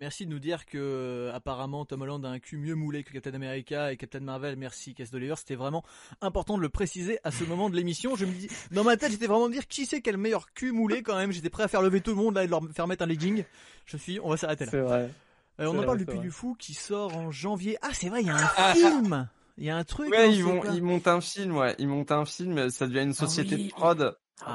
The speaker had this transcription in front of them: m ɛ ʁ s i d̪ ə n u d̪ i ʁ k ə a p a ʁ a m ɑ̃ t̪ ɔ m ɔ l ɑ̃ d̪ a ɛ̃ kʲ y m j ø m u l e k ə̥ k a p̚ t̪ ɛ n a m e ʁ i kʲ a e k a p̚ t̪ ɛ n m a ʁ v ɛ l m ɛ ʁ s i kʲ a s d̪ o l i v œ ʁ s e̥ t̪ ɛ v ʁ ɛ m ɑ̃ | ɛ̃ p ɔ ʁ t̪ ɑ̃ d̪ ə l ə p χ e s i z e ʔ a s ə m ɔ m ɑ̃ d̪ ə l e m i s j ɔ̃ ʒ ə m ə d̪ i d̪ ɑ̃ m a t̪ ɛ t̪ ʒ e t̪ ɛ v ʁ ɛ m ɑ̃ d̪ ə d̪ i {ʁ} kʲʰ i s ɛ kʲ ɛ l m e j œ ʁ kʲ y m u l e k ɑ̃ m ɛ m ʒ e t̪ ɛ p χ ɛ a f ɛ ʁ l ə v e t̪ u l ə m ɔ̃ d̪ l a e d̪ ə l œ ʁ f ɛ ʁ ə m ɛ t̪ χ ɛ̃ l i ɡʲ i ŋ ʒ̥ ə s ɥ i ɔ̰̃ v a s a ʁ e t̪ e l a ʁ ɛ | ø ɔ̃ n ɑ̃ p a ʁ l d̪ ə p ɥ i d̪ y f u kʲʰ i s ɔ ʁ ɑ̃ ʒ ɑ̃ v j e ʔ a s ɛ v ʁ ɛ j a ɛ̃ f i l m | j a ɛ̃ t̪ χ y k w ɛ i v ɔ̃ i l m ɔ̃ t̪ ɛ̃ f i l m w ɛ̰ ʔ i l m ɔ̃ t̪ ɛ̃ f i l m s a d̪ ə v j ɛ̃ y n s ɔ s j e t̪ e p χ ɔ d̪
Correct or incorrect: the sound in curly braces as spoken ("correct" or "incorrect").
correct